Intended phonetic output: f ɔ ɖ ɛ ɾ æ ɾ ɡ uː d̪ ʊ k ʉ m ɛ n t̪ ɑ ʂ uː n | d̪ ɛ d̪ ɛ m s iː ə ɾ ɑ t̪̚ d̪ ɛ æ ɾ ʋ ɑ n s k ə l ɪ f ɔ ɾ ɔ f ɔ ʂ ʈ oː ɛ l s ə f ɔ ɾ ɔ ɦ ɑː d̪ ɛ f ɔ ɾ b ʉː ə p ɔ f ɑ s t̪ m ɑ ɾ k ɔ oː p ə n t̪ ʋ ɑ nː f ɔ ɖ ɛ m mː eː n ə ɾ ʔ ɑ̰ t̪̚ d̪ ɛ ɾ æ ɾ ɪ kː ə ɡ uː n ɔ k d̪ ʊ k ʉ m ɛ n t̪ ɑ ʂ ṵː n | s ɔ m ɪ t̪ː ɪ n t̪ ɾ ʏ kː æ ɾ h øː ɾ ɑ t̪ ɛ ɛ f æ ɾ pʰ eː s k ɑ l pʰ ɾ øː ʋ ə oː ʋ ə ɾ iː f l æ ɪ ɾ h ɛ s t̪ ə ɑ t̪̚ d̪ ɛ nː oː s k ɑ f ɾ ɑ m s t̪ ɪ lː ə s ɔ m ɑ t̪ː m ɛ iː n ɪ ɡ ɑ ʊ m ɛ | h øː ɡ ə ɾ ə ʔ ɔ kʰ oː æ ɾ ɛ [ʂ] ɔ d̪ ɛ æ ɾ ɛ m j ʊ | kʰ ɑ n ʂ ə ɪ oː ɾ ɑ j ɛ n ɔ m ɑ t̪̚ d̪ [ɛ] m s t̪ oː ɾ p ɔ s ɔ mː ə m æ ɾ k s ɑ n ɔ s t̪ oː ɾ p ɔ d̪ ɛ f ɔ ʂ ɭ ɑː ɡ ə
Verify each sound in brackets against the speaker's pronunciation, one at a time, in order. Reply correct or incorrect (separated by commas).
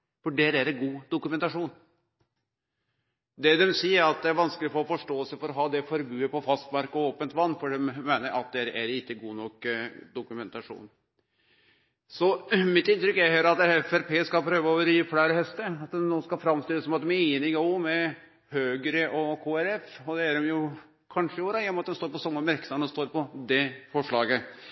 incorrect, correct